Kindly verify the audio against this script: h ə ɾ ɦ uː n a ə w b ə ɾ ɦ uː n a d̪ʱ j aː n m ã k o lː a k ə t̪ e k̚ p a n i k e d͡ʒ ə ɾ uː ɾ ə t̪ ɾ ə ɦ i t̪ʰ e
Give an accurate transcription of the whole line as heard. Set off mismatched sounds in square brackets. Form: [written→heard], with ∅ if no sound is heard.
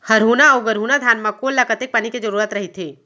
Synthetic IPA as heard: h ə ɾ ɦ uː n a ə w [b→ɡ] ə ɾ ɦ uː n a d̪ʱ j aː n m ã k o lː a k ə t̪ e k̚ p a n i k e d͡ʒ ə ɾ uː ɾ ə t̪ ɾ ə ɦ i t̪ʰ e

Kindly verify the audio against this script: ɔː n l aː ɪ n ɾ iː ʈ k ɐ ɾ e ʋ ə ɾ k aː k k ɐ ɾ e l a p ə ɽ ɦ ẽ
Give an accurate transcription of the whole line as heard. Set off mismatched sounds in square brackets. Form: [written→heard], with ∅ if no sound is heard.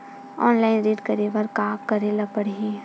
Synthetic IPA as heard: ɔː n l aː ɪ n ɾ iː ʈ k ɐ ɾ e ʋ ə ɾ k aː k k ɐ ɾ e l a p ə ɽ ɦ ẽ

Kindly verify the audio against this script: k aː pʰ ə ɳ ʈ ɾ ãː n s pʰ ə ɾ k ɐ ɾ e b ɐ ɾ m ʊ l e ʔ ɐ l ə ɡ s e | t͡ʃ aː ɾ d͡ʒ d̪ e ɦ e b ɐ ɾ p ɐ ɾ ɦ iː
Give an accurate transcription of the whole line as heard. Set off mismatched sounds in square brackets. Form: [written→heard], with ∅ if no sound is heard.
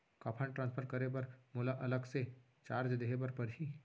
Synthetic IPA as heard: k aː pʰ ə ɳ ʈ ɾ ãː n s pʰ ə ɾ k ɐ ɾ e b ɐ ɾ m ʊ l [e→a] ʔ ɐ l ə ɡ s e | t͡ʃ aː ɾ d͡ʒ d̪ e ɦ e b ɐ ɾ p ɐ ɾ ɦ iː

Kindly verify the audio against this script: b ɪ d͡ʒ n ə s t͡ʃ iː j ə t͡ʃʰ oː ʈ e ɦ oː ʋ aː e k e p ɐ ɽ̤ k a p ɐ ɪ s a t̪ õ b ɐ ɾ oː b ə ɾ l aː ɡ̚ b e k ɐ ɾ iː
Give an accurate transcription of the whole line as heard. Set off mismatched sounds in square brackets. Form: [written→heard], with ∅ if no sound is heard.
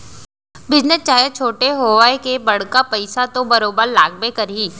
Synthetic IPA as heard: b ɪ d͡ʒ n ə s t͡ʃ [iː→aː] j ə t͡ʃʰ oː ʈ e ɦ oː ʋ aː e k e [p→b] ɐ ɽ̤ k a p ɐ ɪ s a t̪ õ b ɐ ɾ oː b ə ɾ l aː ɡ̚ b e k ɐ ɾ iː

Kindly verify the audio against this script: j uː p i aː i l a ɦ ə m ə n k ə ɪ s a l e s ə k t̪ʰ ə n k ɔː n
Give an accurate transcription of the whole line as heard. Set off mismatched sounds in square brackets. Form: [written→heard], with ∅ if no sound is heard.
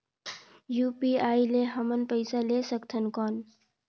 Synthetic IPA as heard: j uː p i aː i l [a→e] ɦ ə m ə n [k→p] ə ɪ s a l e s ə k t̪ʰ ə n k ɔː n

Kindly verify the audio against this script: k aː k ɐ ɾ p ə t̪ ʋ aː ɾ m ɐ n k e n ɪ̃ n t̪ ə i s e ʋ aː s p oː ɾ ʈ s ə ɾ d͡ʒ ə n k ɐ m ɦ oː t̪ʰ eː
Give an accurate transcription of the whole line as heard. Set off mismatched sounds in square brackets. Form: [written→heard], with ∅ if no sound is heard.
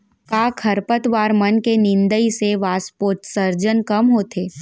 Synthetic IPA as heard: k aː [k→kʰ] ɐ ɾ p ə t̪ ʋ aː ɾ m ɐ n k e n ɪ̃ n [t̪→d̪] ə i s e ʋ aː s p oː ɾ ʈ s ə ɾ d͡ʒ ə n k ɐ m ɦ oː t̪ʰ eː

